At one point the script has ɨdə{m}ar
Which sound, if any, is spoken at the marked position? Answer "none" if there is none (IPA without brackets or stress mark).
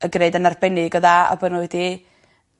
n